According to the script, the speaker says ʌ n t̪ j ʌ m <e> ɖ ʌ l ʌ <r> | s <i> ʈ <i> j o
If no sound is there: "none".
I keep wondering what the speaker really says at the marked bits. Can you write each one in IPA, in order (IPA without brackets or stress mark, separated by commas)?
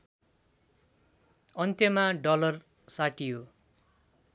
a, r, a, i